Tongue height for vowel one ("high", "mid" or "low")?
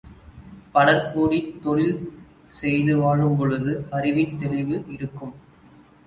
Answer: low